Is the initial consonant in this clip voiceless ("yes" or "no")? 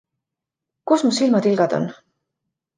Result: yes